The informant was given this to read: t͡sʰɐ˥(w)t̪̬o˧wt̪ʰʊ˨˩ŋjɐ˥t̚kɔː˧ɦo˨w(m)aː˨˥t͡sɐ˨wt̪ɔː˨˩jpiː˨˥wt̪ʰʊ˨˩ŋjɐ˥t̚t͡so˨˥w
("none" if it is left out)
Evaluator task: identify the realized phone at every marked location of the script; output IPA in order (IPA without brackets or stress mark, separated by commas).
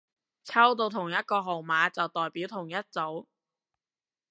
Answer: w, m